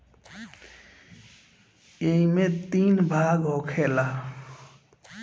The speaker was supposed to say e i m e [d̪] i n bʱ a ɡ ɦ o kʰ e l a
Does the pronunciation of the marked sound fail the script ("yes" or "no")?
yes